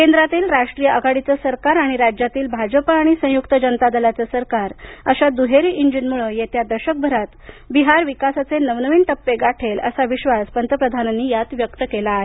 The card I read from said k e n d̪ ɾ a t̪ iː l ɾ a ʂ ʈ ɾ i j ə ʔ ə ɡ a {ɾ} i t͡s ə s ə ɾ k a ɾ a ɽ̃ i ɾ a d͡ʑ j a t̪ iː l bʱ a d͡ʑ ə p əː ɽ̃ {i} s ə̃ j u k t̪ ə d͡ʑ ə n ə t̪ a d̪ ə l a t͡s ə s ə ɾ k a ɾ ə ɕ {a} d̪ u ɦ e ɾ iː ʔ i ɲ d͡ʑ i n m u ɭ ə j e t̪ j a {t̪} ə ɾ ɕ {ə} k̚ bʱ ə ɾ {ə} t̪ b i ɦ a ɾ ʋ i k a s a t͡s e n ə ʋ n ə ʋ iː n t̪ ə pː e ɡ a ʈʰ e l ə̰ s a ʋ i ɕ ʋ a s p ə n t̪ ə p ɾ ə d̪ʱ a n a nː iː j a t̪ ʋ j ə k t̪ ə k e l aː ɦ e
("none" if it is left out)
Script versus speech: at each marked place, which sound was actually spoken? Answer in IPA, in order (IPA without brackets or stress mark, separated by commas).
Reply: ɽ, i, a, d̪, ə, a